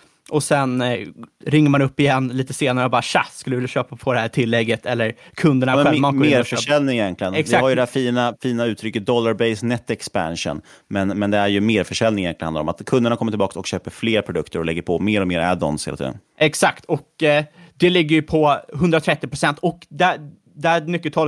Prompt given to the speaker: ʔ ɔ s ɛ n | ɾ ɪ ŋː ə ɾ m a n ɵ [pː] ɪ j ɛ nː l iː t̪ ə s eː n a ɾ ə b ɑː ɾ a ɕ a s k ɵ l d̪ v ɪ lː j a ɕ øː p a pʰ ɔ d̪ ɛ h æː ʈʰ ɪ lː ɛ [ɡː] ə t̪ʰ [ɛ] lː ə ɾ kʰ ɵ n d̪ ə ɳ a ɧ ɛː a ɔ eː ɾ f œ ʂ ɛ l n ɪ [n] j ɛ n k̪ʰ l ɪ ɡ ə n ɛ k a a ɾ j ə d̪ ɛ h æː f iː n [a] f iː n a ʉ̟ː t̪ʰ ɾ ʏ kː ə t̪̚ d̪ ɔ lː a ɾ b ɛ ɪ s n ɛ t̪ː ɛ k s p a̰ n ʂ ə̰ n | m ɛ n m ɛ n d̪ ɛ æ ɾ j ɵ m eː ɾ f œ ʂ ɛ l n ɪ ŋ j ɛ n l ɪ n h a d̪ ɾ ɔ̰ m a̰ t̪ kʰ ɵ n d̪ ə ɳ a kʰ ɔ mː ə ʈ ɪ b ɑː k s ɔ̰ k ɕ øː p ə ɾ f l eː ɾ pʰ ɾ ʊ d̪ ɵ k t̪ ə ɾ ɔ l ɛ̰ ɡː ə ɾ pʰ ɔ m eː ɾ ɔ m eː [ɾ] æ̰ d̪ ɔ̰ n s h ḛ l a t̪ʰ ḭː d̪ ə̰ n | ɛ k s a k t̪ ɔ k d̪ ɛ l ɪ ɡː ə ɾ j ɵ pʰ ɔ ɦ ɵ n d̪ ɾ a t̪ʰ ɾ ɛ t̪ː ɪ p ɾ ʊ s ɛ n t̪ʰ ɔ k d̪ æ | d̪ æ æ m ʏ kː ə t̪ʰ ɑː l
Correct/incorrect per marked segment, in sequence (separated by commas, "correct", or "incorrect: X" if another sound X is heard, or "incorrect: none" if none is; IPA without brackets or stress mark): correct, correct, correct, incorrect: ŋ, correct, correct